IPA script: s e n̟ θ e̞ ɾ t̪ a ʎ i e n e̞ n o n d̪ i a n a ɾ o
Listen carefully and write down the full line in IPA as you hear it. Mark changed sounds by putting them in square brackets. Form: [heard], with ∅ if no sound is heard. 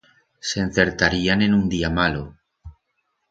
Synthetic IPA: s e n̟ θ e̞ ɾ t̪ a [ɾ] i [a] n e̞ n [u] n d̪ i a [m] a [l] o

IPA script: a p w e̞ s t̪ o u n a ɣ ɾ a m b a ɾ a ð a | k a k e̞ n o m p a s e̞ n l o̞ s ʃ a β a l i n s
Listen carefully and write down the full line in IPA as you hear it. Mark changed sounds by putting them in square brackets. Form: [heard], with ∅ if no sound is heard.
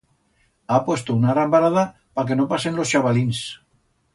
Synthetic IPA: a p w e̞ s t̪ o u n a ɣ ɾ a m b a ɾ a ð a | [p] a k e̞ n o [∅] p a s e̞ n l o̞ s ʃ a β a l i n s

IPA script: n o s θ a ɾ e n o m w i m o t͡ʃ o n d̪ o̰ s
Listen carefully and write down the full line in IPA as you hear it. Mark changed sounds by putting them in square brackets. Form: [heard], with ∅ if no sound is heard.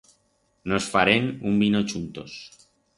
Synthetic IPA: n o s [f] a ɾ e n [u] m [b] i [n] o t͡ʃ [u] n [t̪] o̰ s

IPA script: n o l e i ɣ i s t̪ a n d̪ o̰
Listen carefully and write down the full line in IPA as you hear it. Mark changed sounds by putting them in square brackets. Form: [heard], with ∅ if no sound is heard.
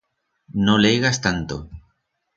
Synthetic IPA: n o l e [j] ɣ [a] s t̪ a n [t̪] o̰

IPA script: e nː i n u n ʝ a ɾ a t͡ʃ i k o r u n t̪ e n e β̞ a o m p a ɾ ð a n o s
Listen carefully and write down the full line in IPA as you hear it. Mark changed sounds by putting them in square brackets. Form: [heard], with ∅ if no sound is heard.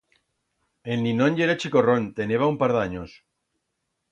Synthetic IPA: e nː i n [o] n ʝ [e] ɾ a t͡ʃ i k o r [o] n t̪ e n e β̞ a [u] m p a ɾ ð a [ɲ] o s

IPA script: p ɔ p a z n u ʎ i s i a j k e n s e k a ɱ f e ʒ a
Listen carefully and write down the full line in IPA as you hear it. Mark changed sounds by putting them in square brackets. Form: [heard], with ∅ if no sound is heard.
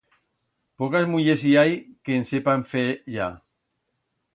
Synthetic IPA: p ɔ [k] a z [m] u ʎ [e] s i a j k e n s e [p] a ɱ f e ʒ a

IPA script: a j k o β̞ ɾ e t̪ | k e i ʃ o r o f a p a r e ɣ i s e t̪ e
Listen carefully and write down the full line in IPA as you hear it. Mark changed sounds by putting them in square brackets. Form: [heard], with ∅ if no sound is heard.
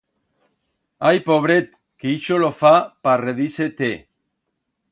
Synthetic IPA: a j [p] o β̞ ɾ e t̪ | k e i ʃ o [l] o f a p a r e [ð] i s e t̪ e

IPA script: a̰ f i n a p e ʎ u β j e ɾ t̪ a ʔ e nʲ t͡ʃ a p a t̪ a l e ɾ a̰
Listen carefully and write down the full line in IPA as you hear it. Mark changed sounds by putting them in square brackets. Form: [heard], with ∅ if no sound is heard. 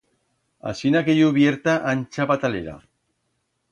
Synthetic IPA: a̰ [s] i n a [k] e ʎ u β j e ɾ t̪ a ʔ [a] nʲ t͡ʃ a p a t̪ a l e ɾ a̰

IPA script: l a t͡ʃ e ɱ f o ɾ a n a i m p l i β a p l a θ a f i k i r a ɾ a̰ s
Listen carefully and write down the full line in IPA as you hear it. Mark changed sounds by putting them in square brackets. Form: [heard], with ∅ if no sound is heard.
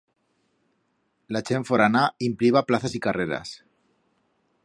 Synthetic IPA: l a t͡ʃ e ɱ f o ɾ a n a i m p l i β a p l a θ a [s] i k [a] r [e] ɾ a̰ s

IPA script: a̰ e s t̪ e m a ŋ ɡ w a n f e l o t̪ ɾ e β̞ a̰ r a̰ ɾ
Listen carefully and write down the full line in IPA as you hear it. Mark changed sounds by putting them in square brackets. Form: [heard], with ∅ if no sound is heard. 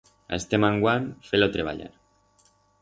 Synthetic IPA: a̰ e s t̪ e m a ŋ ɡ w a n f e l o t̪ ɾ e β̞ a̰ [ʎ] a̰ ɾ

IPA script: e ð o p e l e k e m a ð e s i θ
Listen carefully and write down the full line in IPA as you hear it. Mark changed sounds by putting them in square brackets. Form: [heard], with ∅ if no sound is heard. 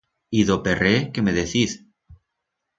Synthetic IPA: [i] ð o p e [r] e k e m [e] ð e [θ] i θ

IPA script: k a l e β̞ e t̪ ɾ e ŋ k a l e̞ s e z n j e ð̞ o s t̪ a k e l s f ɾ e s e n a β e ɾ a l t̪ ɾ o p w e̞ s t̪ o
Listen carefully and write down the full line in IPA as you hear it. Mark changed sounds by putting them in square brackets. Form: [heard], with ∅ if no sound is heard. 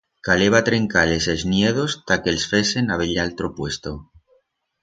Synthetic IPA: k a l e β̞ [a] t̪ ɾ e ŋ k a l e̞ s e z n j e ð̞ o s t̪ a k e l s f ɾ e s e n a β e [ʎ] a l t̪ ɾ o p w e̞ s t̪ o

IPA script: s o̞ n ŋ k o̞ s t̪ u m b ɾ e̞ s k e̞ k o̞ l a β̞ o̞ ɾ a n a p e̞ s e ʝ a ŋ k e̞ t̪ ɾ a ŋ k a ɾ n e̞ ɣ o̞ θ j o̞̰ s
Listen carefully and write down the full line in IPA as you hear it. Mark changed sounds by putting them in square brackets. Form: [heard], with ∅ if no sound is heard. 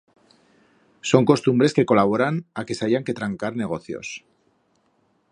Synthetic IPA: s o̞ [∅] ŋ k o̞ s t̪ u m b ɾ e̞ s k e̞ k o̞ l a β̞ o̞ ɾ a n a [k] e̞ s [a] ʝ a ŋ k e̞ t̪ ɾ a ŋ k a ɾ n e̞ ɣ o̞ θ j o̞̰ s

